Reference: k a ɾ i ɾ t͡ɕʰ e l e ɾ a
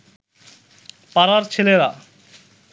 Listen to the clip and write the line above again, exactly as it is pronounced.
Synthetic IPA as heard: p a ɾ a ɾ t͡ɕʰ e l e ɾ a